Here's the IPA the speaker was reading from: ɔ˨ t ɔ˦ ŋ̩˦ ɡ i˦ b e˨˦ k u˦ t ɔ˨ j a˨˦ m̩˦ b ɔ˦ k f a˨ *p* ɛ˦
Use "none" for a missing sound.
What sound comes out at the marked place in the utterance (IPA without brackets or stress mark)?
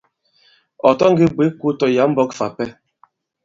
p